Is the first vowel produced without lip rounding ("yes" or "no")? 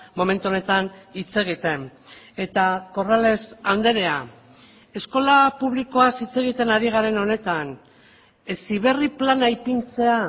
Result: no